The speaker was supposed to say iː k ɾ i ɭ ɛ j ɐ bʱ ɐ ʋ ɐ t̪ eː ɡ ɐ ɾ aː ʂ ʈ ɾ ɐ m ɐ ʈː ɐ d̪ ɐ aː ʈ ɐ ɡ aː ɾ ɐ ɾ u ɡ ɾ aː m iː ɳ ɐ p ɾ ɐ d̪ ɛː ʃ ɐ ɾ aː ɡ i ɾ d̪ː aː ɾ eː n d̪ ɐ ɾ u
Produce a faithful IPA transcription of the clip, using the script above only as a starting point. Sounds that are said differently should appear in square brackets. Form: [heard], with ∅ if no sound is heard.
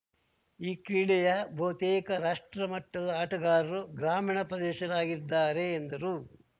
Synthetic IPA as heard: iː k ɾ i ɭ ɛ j ɐ bʱ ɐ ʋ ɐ t̪ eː [k] ɐ ɾ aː ʂ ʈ ɾ ɐ m ɐ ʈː ɐ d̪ ɐ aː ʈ ɐ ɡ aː ɾ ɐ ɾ u ɡ ɾ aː m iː ɳ ɐ p ɾ ɐ d̪ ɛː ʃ ɐ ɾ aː ɡ i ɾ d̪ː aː ɾ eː n d̪ ɐ ɾ u